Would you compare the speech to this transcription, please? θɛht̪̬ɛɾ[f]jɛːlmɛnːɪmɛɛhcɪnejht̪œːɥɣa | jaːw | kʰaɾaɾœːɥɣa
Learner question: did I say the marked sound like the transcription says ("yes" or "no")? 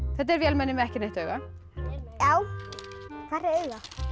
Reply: no